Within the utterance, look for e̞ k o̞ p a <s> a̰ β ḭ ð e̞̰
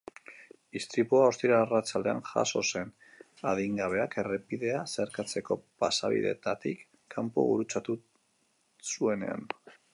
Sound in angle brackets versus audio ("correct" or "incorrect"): correct